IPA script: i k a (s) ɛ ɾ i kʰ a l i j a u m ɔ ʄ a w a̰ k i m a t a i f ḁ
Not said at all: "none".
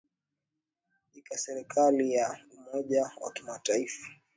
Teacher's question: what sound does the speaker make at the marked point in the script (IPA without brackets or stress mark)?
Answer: s